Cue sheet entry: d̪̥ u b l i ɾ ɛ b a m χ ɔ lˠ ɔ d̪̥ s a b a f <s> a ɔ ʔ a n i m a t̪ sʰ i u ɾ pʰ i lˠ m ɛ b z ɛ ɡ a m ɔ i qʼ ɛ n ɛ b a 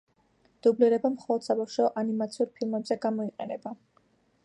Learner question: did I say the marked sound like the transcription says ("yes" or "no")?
no